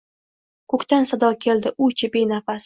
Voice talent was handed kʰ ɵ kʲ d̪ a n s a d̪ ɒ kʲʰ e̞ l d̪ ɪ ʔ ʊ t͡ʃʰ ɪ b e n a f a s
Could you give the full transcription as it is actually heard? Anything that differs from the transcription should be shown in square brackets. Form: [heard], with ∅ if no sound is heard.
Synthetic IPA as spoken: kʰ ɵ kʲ [t̪] a n s a d̪ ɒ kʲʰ e̞ l d̪ ɪ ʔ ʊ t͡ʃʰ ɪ b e n a f a s